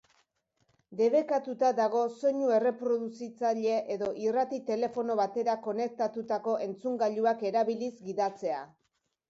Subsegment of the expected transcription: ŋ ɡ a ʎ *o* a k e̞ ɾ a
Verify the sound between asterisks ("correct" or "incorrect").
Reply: incorrect